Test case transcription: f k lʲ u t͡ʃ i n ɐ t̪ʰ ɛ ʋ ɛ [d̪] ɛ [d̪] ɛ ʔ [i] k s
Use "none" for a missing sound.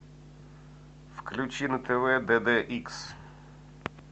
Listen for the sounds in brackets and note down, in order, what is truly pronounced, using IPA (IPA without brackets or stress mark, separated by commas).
d̪, d̪, i